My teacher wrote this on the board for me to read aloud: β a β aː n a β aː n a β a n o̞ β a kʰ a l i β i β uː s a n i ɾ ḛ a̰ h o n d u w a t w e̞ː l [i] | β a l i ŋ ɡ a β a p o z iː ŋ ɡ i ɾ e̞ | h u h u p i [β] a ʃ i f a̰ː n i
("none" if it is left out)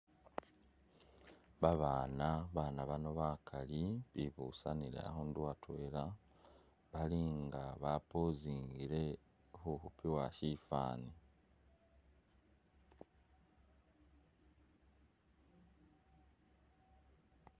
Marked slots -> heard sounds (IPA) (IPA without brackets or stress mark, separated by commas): a, w